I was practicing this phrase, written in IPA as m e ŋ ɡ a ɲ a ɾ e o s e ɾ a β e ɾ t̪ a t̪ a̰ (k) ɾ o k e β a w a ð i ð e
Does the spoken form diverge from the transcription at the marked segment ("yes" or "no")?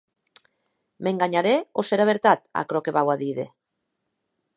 no